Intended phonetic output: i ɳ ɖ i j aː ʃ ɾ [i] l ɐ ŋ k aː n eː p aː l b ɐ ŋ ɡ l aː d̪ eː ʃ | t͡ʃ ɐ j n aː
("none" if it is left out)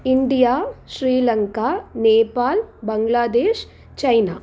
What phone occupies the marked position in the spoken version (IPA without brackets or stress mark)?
iː